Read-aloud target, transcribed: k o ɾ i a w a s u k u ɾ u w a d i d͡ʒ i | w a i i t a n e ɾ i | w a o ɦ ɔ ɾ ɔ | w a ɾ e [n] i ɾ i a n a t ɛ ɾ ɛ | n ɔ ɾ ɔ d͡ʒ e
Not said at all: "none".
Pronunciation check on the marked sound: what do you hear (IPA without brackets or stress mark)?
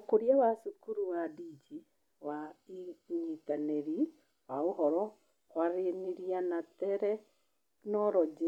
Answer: n